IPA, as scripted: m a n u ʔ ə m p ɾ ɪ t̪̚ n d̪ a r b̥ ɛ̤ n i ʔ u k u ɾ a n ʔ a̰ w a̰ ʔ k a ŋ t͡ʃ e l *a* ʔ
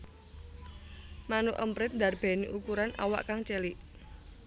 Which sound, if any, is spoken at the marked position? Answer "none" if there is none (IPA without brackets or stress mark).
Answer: i